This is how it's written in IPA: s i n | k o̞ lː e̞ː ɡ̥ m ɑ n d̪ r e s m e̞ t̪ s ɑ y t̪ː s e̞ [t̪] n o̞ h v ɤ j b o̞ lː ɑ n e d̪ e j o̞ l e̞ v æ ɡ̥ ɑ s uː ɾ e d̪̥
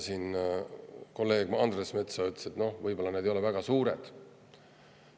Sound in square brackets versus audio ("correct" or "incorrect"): correct